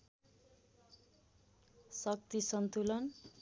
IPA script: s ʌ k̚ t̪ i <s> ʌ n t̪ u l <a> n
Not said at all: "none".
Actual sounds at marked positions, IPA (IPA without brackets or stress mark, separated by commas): s, ʌ